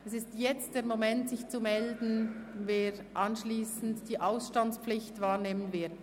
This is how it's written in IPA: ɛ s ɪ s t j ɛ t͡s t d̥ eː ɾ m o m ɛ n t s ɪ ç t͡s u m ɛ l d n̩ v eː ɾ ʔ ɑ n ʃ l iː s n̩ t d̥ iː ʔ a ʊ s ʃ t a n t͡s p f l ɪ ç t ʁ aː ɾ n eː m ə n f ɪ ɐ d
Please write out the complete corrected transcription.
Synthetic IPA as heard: ɛ s ɪ s t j ɛ t͡s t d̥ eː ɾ m o m ɛ n t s ɪ ç t͡s u m ɛ l d n̩ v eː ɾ ʔ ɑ n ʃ l iː s n̩ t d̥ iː ʔ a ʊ s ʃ t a n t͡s p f l ɪ ç t v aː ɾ n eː m ə n v ɪ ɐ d